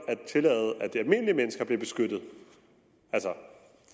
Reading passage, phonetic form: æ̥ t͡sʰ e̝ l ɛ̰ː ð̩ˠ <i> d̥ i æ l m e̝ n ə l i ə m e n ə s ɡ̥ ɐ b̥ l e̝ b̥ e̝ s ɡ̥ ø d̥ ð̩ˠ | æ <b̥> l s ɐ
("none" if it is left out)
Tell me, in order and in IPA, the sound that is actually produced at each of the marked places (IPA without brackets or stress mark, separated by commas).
æ, none